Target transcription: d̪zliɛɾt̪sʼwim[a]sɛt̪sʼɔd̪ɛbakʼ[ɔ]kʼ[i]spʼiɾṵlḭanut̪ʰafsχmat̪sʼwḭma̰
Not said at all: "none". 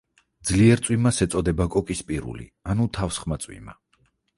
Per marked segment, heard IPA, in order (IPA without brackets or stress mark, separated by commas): a, ɔ, i